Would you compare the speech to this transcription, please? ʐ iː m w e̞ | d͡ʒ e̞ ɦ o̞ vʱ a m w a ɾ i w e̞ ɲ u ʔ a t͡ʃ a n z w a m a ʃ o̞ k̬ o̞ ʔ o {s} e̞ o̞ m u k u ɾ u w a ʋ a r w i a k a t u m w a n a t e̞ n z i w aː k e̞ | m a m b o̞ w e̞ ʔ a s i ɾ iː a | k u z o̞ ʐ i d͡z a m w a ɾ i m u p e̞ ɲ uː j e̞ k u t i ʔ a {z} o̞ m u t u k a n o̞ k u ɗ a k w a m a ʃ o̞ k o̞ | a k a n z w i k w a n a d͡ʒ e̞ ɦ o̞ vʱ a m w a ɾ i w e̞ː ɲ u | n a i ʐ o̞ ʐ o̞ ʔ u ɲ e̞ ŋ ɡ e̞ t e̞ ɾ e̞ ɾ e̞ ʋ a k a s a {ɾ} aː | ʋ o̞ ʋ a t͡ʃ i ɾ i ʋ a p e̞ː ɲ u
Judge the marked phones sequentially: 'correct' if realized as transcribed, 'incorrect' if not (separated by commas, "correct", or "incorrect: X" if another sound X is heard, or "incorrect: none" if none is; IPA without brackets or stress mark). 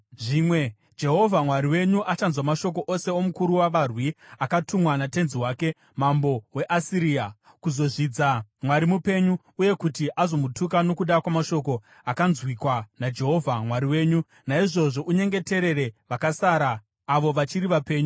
correct, correct, correct